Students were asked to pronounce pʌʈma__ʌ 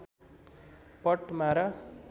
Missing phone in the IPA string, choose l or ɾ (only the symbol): ɾ